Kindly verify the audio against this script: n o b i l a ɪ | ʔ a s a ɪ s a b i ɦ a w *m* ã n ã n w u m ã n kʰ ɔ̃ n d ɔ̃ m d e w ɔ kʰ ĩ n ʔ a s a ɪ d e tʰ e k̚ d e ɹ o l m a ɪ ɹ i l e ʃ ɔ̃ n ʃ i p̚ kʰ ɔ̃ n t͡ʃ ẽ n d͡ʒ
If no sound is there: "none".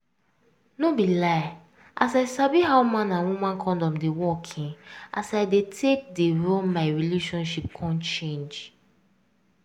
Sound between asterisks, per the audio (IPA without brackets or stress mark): m